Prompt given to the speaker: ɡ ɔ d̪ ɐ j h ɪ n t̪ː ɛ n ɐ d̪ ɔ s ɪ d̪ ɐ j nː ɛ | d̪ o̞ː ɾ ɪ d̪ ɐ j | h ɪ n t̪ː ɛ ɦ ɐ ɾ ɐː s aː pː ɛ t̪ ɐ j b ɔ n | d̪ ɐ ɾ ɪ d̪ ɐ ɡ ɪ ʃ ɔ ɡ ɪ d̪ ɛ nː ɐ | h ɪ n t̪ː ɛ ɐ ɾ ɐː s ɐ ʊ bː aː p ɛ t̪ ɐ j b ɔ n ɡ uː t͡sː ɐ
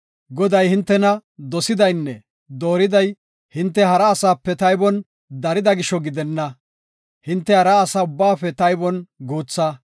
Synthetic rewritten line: ɡ ɔ d̪ ɐ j h ɪ n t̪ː ɛ n ɐ d̪ ɔ s ɪ d̪ ɐ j nː ɛ | d̪ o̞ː ɾ ɪ d̪ ɐ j | h ɪ n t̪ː ɛ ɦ ɐ ɾ ɐː s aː pː ɛ t̪ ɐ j b ɔ n | d̪ ɐ ɾ ɪ d̪ ɐ ɡ ɪ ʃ ɔ ɡ ɪ d̪ ɛ nː ɐ | h ɪ n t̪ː ɛ ɐ ɾ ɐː s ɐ ʊ bː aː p ɛ t̪ ɐ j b ɔ n ɡ uː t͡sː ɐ